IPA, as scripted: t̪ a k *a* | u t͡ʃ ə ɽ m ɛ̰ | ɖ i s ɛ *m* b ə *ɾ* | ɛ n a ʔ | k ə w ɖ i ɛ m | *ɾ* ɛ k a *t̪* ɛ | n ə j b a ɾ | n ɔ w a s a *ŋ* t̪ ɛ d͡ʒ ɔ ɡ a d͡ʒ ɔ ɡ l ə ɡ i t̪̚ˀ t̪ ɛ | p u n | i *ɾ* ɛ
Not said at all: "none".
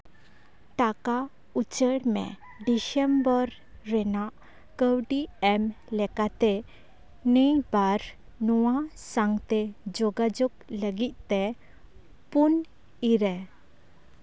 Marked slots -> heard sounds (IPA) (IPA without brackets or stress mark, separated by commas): a, m, ɾː, l, t̪, ŋ, ɾ